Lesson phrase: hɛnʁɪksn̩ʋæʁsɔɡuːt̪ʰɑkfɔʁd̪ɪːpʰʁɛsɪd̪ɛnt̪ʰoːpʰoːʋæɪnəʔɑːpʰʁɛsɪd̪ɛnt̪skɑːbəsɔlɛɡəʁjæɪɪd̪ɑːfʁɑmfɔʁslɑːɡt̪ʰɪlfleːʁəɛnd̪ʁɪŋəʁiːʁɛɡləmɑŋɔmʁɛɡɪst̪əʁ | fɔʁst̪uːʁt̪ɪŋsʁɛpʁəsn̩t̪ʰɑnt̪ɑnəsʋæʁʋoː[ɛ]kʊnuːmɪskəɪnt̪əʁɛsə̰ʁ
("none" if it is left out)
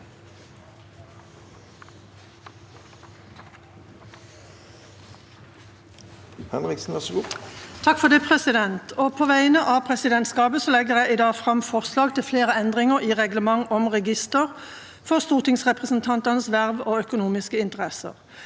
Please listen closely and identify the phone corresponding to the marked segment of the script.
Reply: œ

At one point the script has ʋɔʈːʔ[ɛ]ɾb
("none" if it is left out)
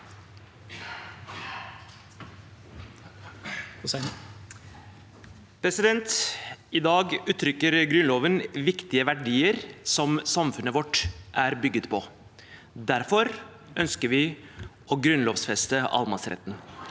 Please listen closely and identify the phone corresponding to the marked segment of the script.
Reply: æ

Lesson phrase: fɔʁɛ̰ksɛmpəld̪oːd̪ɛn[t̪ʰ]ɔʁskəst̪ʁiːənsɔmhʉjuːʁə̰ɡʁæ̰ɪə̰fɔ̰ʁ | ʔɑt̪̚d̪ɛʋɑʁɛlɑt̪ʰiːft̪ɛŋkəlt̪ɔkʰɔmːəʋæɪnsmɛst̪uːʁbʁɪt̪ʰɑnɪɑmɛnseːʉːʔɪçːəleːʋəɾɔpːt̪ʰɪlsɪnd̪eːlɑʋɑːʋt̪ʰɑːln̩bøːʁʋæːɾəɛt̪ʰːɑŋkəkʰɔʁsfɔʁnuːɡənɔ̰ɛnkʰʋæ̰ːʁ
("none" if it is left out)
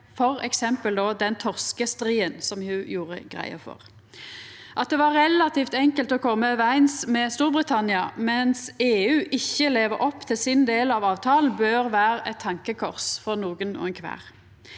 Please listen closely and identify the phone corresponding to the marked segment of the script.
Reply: t̪ʰ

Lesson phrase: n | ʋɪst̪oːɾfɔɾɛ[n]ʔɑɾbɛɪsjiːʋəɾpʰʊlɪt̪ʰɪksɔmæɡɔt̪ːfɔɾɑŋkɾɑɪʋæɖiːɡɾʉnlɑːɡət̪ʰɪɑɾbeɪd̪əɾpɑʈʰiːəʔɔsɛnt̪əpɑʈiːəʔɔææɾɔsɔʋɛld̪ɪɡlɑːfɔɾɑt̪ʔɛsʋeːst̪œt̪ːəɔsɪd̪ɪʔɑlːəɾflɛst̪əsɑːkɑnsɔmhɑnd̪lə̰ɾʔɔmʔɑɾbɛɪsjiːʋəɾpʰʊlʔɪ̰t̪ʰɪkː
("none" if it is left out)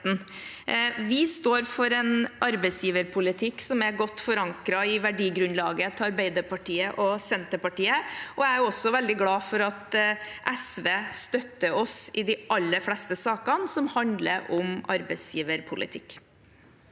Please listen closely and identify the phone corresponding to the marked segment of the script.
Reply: n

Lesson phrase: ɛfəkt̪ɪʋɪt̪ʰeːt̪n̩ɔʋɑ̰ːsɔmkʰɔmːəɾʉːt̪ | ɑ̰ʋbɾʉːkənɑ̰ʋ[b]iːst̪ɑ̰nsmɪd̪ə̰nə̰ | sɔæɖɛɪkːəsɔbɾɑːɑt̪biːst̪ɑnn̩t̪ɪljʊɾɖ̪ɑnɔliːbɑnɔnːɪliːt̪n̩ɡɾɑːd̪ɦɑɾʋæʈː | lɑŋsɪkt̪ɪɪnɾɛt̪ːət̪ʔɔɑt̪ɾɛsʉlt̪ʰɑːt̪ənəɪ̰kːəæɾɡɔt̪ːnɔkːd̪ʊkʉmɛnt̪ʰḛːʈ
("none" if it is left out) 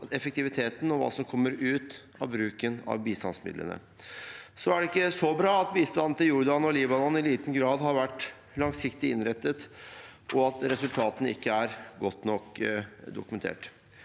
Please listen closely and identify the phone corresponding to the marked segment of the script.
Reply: b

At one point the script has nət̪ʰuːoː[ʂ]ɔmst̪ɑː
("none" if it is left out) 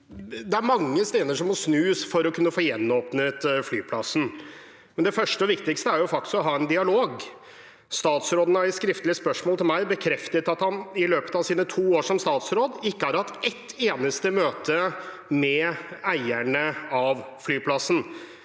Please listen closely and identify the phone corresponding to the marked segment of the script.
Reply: ʂ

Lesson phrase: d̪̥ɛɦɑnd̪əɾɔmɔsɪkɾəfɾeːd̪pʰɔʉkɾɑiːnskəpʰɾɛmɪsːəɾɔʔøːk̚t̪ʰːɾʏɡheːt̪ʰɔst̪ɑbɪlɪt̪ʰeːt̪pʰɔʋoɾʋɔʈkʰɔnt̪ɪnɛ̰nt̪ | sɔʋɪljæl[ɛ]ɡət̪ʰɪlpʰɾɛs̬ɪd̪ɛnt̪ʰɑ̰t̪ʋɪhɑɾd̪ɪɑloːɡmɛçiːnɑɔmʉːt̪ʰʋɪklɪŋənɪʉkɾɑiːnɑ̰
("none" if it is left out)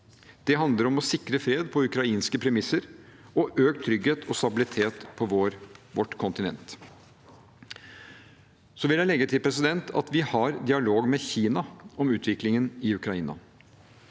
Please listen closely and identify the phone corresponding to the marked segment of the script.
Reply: ɛ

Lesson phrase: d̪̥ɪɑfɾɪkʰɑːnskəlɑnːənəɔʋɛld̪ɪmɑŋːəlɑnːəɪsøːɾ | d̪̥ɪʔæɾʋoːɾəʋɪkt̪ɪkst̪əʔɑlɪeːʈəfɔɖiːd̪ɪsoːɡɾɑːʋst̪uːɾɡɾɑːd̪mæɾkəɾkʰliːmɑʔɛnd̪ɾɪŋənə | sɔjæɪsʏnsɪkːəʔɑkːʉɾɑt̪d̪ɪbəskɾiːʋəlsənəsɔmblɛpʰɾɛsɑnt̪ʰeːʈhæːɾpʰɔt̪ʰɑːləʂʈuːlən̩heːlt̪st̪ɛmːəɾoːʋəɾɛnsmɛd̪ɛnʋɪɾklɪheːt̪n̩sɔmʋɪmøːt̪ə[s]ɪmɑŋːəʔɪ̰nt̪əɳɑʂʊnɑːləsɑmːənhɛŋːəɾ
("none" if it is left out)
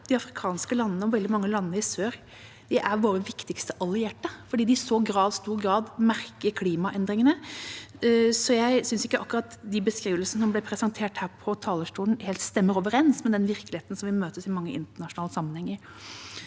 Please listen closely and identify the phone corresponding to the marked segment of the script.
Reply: s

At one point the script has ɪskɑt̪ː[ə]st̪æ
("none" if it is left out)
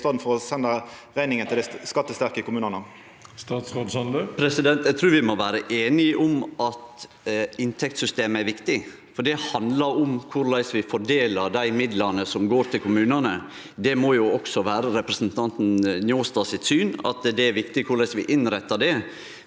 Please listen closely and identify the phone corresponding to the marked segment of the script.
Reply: ə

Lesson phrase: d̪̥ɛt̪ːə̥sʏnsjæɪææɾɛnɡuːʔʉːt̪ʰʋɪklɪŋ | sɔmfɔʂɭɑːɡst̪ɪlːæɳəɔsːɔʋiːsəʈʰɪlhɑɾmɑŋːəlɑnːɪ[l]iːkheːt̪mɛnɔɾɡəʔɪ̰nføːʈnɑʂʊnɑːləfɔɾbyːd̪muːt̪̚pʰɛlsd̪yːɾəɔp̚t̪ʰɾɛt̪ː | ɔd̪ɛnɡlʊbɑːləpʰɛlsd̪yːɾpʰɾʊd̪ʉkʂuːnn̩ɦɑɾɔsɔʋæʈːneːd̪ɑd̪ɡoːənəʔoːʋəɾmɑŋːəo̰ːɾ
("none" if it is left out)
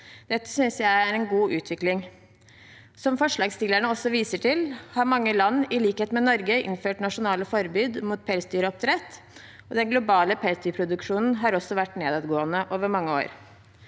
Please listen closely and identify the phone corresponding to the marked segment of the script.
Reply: l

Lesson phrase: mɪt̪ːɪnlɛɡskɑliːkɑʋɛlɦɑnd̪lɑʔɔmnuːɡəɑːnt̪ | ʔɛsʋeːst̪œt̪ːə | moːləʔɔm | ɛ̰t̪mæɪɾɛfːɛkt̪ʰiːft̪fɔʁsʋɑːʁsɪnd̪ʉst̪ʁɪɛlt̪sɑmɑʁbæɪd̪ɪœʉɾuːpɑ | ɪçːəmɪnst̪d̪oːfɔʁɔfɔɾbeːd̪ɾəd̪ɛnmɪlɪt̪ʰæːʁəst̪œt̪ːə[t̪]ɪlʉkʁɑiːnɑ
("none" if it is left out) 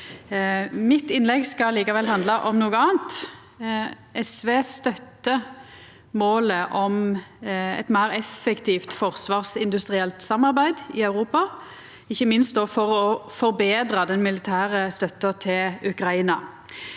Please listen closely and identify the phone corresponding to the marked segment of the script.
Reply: t̪ʰ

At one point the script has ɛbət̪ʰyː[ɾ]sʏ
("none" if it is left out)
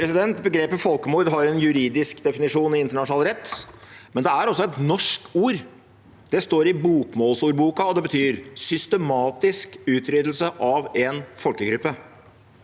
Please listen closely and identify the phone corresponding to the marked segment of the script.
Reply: ɾ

